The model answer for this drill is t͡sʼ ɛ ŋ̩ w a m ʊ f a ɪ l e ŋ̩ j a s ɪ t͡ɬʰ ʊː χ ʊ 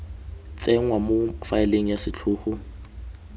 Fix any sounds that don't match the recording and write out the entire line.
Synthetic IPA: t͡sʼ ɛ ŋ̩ w a m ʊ f a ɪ l e ŋ̩ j a s ɪ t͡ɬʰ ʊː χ ʊ